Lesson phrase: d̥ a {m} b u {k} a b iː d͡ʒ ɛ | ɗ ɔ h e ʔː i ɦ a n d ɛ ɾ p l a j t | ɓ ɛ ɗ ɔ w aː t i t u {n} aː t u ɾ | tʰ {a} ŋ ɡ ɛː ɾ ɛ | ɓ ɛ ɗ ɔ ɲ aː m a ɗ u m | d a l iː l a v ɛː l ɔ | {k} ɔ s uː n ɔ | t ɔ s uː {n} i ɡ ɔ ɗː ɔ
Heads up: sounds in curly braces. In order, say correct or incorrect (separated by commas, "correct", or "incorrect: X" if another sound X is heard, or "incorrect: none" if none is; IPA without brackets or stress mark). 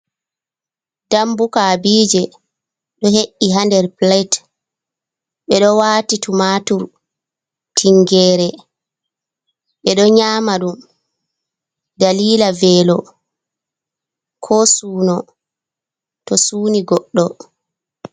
correct, correct, incorrect: m, incorrect: i, incorrect: kʰ, correct